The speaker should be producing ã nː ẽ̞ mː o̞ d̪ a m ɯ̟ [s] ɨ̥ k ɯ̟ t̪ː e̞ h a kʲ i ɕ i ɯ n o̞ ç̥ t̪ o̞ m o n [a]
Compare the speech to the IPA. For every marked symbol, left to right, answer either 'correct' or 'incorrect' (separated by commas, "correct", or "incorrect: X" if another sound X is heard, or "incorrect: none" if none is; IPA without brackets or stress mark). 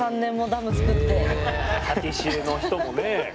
incorrect: t͡s, incorrect: e